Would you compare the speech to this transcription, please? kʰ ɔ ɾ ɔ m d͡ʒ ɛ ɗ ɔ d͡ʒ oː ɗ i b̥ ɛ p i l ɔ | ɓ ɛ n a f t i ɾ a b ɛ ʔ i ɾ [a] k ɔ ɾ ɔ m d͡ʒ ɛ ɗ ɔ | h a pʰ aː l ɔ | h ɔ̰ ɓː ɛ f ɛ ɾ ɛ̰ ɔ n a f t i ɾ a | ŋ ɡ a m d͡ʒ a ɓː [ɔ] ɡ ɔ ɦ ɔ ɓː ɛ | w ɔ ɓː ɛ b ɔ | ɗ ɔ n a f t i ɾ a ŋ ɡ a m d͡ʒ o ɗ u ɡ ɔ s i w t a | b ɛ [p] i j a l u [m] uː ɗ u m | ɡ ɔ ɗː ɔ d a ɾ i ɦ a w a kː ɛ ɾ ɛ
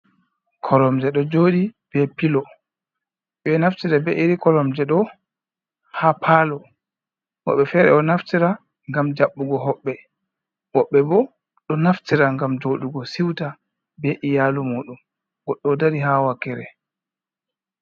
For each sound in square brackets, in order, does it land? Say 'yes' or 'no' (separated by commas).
no, no, no, yes